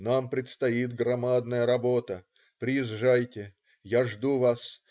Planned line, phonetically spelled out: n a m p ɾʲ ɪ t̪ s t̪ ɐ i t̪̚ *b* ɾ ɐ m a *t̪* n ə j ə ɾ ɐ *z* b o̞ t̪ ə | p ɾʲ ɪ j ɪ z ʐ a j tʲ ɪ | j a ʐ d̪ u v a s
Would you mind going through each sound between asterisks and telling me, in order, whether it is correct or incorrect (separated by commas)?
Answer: incorrect, incorrect, incorrect